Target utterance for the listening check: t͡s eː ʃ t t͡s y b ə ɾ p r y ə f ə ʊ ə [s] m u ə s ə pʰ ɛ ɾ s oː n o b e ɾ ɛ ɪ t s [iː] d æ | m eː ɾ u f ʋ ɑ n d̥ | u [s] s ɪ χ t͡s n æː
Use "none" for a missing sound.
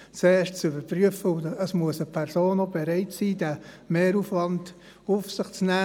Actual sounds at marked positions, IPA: s, iː, f

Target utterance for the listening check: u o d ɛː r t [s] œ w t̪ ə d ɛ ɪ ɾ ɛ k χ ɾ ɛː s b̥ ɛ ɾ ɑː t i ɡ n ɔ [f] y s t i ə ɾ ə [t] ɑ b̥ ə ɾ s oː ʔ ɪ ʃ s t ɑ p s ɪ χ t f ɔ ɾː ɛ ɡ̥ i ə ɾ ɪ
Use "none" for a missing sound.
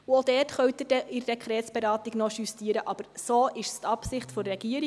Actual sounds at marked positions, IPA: χ, ʃ, ʔ

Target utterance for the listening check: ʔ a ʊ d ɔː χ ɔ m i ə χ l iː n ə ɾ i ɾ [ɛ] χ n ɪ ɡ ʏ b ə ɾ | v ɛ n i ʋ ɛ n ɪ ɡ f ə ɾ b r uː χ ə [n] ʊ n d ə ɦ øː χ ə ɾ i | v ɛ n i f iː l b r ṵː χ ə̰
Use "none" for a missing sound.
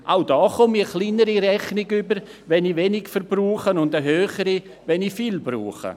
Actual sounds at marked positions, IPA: ɛ, n

